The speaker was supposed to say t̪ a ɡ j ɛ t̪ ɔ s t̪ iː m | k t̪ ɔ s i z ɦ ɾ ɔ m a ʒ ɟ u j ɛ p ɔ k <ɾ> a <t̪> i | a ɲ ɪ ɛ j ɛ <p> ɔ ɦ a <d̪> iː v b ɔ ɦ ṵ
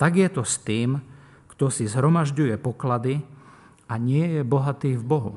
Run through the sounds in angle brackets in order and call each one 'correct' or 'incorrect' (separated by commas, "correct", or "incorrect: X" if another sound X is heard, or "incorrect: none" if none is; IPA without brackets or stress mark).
incorrect: l, incorrect: d̪, incorrect: b, incorrect: t̪